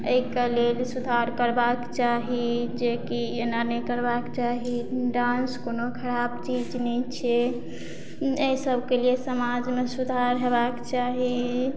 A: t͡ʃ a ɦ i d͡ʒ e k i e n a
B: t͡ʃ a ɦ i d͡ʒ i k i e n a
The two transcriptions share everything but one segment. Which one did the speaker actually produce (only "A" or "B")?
A